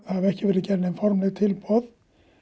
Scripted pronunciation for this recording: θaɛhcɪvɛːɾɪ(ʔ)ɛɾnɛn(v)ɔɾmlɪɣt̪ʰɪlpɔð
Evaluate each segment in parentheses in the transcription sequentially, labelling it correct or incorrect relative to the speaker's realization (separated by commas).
incorrect, incorrect